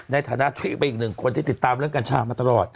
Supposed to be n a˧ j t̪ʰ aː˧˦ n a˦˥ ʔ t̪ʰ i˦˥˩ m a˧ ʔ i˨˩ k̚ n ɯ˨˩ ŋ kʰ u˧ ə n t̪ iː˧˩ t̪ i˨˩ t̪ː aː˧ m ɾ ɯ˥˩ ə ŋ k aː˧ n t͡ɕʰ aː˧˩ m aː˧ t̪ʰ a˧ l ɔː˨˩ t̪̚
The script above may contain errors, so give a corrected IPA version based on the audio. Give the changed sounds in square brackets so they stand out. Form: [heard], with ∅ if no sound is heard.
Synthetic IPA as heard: n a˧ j t̪ʰ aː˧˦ n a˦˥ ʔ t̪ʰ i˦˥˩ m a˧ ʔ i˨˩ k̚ n ɯ˨˩ ŋ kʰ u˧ ə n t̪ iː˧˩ t̪ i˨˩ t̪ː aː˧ m ɾ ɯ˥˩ ə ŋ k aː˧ n t͡ɕʰ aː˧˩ m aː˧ [t̪] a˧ l ɔː˨˩ t̪̚